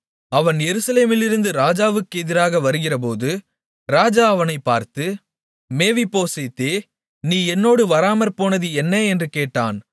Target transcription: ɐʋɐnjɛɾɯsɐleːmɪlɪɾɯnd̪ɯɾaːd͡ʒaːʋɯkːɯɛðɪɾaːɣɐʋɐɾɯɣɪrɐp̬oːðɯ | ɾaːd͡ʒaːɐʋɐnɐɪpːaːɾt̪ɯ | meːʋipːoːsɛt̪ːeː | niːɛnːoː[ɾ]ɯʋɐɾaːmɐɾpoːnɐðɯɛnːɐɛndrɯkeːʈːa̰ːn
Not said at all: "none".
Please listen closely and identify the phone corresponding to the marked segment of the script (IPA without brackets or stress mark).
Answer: ɽ